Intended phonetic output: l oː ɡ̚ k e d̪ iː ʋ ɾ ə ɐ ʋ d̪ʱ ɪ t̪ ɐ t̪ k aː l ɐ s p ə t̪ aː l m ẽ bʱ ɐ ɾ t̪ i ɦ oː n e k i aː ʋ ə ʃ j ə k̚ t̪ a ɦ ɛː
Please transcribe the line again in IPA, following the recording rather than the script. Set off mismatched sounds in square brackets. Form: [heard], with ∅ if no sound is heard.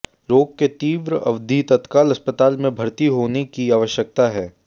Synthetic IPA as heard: l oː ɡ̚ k e [t̪] iː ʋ ɾ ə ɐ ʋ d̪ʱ [i] t̪ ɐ t̪ k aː l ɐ s p ə t̪ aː l m ẽ bʱ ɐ ɾ t̪ i ɦ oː n e k i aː ʋ ə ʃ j ə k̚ t̪ a ɦ ɛː

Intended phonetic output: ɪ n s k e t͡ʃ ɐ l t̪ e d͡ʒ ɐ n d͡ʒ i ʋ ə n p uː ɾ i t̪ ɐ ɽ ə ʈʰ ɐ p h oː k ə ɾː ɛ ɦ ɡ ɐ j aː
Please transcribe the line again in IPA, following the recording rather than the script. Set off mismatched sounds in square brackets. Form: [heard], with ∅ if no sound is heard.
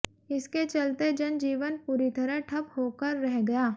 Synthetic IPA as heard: ɪ [∅] s k e t͡ʃ ɐ l t̪ e d͡ʒ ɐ n d͡ʒ [iː] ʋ ə n p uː ɾ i t̪ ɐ [ɾ] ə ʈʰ ɐ p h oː k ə ɾː ɛ ɦ ɡ ɐ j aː

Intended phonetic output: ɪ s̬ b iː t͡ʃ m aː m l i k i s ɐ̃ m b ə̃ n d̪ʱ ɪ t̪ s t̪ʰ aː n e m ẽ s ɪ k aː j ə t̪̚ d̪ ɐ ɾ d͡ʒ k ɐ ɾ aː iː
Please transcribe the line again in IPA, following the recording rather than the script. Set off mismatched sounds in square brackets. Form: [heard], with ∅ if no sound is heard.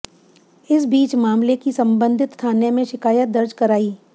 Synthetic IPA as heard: ɪ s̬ b iː t͡ʃ m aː m l [e] k i s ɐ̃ m b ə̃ n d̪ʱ ɪ t̪ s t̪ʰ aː n e m ẽ [ʃ] ɪ k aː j ə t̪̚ d̪ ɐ ɾ d͡ʒ k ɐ ɾ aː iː

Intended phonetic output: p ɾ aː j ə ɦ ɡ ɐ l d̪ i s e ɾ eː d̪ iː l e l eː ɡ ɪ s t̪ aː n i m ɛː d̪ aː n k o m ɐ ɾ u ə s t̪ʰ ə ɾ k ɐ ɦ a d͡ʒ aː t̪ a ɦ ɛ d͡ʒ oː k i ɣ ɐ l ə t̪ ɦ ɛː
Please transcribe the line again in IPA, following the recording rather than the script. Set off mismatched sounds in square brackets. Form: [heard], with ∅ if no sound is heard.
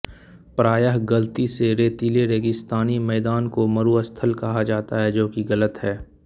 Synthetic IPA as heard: p ɾ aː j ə ɦ ɡ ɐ l [t̪] i s e ɾ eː [t̪] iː l e [ɾ] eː ɡ ɪ s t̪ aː n i m ɛː d̪ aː n k o m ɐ ɾ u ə s t̪ʰ ə [l] k ɐ ɦ a d͡ʒ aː t̪ a ɦ ɛ d͡ʒ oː k i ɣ ɐ l ə t̪ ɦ ɛː

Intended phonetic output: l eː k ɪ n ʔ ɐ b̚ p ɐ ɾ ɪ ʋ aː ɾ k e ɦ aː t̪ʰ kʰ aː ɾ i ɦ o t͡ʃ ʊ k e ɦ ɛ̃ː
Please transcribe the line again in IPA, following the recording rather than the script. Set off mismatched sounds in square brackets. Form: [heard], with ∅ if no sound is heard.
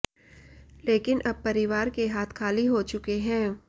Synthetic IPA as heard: l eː k ɪ n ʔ ɐ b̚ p ɐ ɾ ɪ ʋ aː ɾ k e ɦ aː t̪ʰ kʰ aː [l] i ɦ o t͡ʃ ʊ k e ɦ ɛ̃ː

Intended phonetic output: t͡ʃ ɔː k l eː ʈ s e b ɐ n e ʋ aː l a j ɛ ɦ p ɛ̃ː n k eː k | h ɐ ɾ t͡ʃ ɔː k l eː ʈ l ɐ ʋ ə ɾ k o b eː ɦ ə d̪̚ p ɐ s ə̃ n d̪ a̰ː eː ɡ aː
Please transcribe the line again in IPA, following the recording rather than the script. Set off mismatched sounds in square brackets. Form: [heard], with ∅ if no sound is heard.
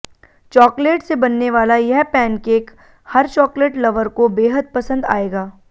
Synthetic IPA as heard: t͡ʃ ɔː k l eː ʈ s e b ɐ [nː] e ʋ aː l a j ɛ ɦ p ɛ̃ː n k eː k | h ɐ ɾ t͡ʃ ɔː k l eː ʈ l ɐ ʋ ə ɾ k o b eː ɦ ə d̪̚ p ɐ s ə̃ n d̪ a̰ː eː ɡ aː

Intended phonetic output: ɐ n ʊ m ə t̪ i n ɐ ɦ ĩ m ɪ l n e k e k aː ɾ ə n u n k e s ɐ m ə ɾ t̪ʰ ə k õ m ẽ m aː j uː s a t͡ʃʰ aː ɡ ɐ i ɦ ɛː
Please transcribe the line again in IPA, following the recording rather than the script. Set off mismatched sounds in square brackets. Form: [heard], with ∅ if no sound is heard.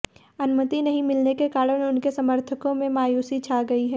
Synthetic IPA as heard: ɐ n ʊ m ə t̪ i n ɐ ɦ ĩ m ɪ l n e k e k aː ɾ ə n [ʊ] n k e s ɐ m ə ɾ t̪ʰ ə k õ m ẽ m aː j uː s [i] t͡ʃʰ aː ɡ ɐ i ɦ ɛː

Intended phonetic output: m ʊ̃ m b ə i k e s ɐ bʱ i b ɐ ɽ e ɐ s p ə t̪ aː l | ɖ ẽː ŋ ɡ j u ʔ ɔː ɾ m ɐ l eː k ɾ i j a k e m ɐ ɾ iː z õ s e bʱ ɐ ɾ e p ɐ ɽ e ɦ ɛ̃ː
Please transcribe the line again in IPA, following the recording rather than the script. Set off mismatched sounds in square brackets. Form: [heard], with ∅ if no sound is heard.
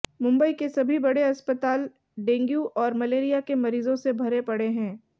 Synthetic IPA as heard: m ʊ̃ m b ə i k e s ɐ bʱ i b ɐ ɽ e ɐ s p ə t̪ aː l | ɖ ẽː ŋ ɡ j u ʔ ɔː ɾ m ɐ l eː [∅] ɾ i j a k e m ɐ ɾ iː z õ s e bʱ ɐ ɾ e p ɐ ɽ e ɦ ɛ̃ː

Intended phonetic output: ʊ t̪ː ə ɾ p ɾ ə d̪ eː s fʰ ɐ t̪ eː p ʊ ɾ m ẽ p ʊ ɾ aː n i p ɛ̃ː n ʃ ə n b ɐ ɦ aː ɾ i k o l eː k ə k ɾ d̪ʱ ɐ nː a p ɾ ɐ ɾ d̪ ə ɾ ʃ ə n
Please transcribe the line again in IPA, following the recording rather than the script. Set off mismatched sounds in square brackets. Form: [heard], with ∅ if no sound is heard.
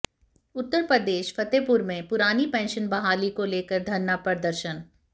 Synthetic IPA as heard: ʊ t̪ː ə ɾ p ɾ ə d̪ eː [ʃ] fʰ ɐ t̪ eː p ʊ ɾ m ẽ p ʊ ɾ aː n i p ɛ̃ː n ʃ ə n b ɐ ɦ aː [l] i k o l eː k ə [∅] ɾ d̪ʱ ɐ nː a p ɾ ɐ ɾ d̪ ə ɾ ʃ ə n

